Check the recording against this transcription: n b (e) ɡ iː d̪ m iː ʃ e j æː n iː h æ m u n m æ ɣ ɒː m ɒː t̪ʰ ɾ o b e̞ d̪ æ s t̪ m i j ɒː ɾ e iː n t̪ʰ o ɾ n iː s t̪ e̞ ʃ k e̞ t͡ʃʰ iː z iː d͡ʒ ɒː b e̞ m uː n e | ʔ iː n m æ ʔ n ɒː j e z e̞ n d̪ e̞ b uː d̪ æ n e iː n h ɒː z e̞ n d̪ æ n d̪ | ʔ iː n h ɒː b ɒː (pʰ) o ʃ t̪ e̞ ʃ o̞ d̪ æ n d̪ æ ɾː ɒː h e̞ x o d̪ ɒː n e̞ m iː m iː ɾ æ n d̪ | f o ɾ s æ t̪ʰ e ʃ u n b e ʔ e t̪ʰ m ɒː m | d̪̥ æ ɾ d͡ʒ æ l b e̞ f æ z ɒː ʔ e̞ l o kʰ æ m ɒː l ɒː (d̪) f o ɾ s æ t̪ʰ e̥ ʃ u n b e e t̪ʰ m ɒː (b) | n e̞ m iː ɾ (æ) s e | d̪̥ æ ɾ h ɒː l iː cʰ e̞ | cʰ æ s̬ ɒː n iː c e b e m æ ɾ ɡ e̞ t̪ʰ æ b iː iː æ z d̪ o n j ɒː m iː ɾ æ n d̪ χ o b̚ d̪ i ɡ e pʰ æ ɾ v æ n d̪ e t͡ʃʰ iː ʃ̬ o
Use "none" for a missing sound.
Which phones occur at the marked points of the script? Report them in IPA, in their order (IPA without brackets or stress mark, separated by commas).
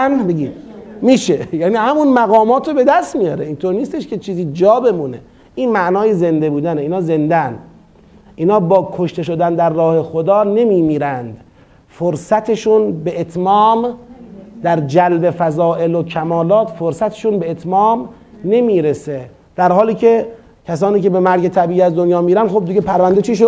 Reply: e, kʰ, t̪, m, e